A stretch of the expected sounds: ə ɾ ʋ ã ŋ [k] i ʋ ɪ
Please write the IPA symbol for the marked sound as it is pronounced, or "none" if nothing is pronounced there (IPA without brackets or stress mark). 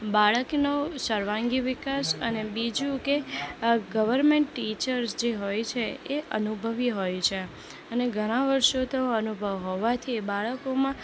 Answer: ɡ